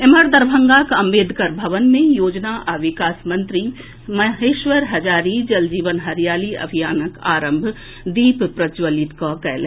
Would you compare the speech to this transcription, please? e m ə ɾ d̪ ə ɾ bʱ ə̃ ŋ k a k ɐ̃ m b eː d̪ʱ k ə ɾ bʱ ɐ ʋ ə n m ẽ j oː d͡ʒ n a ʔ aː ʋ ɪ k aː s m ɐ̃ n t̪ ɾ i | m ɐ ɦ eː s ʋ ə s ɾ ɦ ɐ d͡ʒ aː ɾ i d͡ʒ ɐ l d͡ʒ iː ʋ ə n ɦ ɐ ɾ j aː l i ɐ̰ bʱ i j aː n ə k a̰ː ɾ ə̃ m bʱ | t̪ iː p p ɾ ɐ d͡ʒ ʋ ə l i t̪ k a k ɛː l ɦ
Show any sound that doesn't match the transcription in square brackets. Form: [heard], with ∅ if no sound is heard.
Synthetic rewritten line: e m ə ɾ d̪ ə ɾ bʱ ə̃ ŋ [ɡ] a k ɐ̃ m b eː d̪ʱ k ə ɾ bʱ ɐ ʋ ə n m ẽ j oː d͡ʒ n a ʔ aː ʋ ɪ k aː s m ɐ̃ n t̪ ɾ i | m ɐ ɦ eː [ʃ] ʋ ə [∅] ɾ ɦ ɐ d͡ʒ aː ɾ i d͡ʒ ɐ l d͡ʒ iː ʋ ə n ɦ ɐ ɾ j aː l i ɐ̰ bʱ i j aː n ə k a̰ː ɾ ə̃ m bʱ | [d̪] iː p p ɾ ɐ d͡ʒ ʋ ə l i t̪ k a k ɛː l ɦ

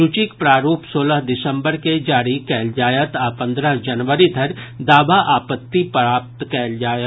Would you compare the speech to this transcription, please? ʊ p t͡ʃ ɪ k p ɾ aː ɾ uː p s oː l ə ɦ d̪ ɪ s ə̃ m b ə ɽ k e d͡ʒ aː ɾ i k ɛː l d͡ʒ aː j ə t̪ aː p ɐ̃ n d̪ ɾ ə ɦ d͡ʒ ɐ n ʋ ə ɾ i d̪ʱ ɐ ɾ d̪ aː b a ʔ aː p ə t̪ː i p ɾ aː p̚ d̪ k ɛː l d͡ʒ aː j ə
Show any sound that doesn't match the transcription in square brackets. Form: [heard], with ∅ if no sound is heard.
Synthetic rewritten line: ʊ [∅] t͡ʃ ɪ k p ɾ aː ɾ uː p s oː l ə ɦ d̪ ɪ s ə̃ m b ə [ɾ] k e d͡ʒ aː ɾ i k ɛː l d͡ʒ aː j ə t̪ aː p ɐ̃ n d̪ ɾ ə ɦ d͡ʒ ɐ n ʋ ə ɾ i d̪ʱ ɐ ɾ d̪ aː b a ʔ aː p ə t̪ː i p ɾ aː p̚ [t̪] k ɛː l d͡ʒ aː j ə

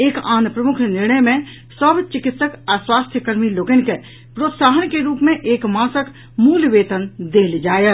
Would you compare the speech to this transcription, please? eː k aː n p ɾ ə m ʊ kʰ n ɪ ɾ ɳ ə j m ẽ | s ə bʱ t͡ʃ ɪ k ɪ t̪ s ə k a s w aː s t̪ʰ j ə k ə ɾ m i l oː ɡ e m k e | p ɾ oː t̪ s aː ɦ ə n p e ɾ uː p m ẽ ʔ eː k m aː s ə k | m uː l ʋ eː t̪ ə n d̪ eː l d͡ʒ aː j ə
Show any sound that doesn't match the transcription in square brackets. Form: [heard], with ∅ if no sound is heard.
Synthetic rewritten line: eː k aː n p ɾ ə m ʊ kʰ n ɪ ɾ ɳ ə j m ẽ | s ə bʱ t͡ʃ ɪ k ɪ t̪ s ə k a s w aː s t̪ʰ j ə k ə ɾ m i l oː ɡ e [n] k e | p ɾ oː t̪ s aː ɦ ə n [k] e ɾ uː p m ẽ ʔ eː k m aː s ə k | m uː l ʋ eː t̪ ə n d̪ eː l d͡ʒ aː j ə

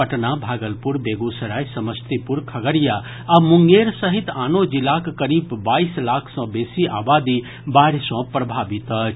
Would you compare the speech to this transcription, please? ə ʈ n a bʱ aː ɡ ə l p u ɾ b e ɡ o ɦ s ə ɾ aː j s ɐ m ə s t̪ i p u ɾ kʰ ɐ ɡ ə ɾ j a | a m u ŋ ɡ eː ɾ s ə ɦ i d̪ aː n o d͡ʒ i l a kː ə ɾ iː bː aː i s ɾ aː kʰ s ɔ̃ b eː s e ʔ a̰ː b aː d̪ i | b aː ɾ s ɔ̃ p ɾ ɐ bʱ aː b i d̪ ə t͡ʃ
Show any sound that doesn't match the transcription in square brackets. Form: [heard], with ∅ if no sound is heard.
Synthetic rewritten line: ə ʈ n a bʱ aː ɡ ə l p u ɾ b e ɡ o [∅] s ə ɾ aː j s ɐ m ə s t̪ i p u ɾ kʰ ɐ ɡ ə ɾ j a | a m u ŋ ɡ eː ɾ s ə ɦ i [t̪] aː n o d͡ʒ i l a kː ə ɾ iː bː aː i s [l] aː kʰ s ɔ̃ b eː s [i] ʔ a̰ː b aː d̪ i | b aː ɾ s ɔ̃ p ɾ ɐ bʱ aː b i [t̪] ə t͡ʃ

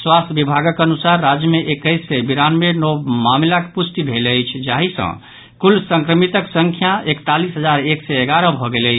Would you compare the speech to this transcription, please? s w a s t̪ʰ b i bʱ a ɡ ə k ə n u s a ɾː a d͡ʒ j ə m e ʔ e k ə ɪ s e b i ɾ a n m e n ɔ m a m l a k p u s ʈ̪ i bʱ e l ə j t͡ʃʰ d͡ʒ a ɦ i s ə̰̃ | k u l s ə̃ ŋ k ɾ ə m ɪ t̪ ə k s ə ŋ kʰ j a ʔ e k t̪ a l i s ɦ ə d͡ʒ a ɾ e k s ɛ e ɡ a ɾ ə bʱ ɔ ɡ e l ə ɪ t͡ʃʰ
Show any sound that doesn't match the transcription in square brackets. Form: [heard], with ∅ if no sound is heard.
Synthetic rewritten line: s w a s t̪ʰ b i bʱ a ɡ ə k ə n u s a ɾː a d͡ʒ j ə m e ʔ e k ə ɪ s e b i ɾ a n m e n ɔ m a m l a k p u s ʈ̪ i bʱ e l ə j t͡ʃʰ d͡ʒ a ɦ i s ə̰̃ | k u l s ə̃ ŋ k ɾ ə m [i] t̪ ə k s ə ŋ kʰ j a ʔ e k t̪ a l i s ɦ ə d͡ʒ a ɾ e k s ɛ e ɡ a ɾ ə bʱ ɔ ɡ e l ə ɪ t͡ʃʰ

